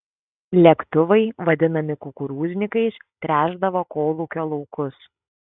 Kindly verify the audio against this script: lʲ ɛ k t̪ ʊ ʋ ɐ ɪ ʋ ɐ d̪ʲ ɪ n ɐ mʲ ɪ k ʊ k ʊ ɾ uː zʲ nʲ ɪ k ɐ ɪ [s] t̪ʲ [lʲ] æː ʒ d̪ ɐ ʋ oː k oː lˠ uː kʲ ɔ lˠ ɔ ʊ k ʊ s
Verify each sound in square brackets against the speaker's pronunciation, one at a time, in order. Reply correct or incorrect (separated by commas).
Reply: correct, incorrect